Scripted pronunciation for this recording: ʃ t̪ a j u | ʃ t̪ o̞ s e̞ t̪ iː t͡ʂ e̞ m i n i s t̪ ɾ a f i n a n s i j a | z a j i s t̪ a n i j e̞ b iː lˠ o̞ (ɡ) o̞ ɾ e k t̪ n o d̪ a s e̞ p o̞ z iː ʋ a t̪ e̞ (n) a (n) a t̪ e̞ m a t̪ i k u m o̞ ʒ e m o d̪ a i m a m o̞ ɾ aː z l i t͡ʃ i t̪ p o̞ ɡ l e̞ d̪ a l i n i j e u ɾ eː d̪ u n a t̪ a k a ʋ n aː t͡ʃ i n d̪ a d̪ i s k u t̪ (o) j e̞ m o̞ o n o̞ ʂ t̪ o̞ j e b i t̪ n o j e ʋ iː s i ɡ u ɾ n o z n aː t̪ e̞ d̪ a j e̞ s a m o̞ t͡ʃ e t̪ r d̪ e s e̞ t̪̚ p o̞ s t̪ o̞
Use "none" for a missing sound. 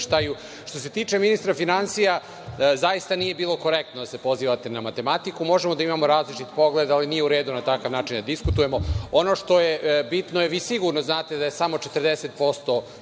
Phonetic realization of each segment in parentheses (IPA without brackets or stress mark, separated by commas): k, n, m, u